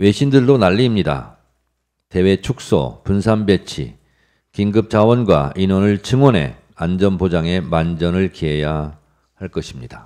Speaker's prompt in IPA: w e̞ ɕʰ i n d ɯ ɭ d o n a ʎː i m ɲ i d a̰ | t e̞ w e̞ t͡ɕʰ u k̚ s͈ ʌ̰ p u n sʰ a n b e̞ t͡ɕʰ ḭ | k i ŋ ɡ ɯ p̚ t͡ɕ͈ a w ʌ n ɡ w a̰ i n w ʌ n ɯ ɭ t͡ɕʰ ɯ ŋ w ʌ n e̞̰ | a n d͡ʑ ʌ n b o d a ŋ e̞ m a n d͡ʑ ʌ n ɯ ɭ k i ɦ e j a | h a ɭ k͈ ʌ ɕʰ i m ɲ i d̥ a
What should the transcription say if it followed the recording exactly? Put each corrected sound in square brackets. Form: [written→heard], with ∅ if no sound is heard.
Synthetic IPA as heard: w e̞ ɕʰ i n d ɯ ɭ d o n a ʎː i m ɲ i d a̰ | t e̞ w e̞ t͡ɕʰ u k̚ s͈ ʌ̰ p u n sʰ a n b e̞ t͡ɕʰ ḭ | k i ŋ ɡ ɯ p̚ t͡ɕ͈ a w ʌ n ɡ w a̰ i n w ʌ n ɯ ɭ t͡ɕʰ ɯ ŋ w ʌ n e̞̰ | a n d͡ʑ ʌ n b o [d→d͡ʑ] a ŋ e̞ m a n d͡ʑ ʌ n ɯ ɭ k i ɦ e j a | h a ɭ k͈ ʌ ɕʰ i m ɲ i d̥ a